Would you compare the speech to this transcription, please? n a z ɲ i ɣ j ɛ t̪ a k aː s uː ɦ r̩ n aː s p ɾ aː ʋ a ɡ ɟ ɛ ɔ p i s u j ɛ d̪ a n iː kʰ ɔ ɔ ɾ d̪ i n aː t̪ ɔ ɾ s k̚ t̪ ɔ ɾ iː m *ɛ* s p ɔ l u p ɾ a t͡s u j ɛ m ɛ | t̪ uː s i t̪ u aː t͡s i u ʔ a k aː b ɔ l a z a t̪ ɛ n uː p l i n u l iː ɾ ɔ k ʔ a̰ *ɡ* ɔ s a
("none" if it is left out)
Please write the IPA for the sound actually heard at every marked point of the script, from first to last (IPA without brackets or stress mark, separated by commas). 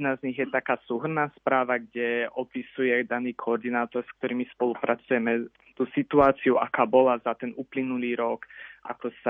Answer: i, k